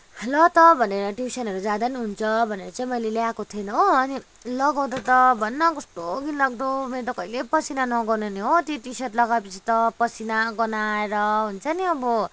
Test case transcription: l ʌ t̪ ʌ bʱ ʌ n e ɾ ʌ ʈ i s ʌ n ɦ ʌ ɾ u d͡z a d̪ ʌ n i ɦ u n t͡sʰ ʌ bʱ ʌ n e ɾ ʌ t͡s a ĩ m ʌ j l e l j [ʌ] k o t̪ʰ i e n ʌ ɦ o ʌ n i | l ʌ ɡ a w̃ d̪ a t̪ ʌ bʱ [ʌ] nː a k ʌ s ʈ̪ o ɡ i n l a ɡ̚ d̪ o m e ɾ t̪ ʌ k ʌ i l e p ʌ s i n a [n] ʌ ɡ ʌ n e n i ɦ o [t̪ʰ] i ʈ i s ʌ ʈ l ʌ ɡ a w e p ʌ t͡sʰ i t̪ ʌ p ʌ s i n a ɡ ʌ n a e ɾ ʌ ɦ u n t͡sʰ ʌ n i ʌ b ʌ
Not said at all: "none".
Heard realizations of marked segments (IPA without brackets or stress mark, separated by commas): a, ʌ, n, t̪